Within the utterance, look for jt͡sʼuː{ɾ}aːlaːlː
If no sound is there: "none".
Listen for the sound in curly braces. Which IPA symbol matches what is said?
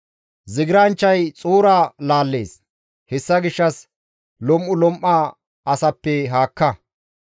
ɾ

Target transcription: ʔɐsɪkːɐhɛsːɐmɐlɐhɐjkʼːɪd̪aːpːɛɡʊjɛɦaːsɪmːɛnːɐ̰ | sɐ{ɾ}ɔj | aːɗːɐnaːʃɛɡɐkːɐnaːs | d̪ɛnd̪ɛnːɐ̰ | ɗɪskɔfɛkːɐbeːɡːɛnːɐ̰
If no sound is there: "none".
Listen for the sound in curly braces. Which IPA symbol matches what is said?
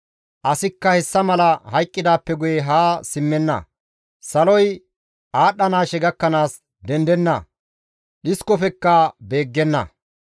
l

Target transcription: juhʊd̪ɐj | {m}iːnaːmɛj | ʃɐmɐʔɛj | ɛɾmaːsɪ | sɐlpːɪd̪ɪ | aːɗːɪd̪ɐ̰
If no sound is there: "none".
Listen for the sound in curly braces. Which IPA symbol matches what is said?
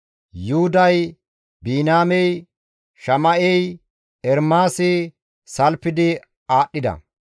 b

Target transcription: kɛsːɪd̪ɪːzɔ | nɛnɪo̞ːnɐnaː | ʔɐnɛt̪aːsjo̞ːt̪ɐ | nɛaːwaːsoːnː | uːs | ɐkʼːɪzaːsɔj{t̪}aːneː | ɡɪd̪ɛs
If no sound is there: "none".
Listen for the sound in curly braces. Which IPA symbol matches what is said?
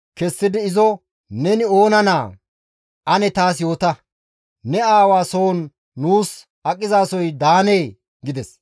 d̪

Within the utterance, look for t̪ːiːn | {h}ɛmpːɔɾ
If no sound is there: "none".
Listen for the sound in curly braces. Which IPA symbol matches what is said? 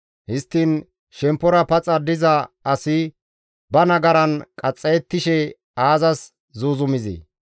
ʃ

